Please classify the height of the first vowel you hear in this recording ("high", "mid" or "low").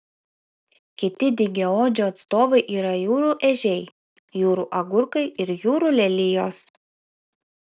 high